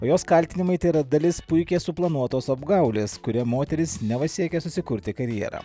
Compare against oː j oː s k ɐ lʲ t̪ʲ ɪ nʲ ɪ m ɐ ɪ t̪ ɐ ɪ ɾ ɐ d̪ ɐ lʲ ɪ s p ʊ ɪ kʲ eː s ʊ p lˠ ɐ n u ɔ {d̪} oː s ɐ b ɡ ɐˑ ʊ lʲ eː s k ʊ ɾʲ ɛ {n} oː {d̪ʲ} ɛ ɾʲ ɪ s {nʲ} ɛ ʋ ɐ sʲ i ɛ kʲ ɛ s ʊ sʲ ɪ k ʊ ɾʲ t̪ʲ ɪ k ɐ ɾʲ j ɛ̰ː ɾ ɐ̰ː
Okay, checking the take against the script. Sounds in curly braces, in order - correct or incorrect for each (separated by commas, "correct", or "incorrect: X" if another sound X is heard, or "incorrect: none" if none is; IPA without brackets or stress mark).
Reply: incorrect: t̪, incorrect: m, incorrect: t̪ʲ, correct